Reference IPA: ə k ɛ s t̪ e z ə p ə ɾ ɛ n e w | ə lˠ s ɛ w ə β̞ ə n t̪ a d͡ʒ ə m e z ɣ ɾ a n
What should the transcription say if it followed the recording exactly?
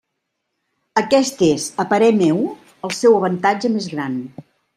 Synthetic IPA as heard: ə k ɛ s t̪ e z ə p ə ɾ ɛ m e w | ə lˠ s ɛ w ə β̞ ə n t̪ a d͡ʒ ə m e z ɣ ɾ a n